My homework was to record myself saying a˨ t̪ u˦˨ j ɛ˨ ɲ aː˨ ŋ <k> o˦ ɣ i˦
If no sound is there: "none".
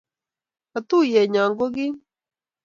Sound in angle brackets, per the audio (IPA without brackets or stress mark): ɡ